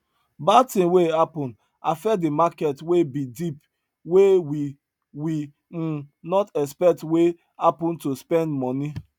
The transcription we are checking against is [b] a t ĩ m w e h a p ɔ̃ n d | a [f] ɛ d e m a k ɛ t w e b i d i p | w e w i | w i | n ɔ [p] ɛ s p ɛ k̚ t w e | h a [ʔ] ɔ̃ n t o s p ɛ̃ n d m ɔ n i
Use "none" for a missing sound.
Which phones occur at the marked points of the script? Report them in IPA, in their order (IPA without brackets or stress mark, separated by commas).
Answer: b, f, t, p